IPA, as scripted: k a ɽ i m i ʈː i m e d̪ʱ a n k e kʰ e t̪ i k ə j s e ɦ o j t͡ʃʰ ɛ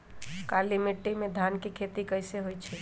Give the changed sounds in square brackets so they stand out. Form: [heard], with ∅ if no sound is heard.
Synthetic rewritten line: k a [l] i m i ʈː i m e d̪ʱ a n k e kʰ e t̪ i k ə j s e ɦ o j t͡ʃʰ ɛ